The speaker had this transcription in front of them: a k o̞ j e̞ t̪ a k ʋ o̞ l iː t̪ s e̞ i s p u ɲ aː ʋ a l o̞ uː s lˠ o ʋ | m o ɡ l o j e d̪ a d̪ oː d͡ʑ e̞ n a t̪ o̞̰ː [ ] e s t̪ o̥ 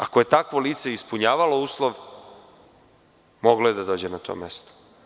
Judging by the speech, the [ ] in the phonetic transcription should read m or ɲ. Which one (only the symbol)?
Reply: m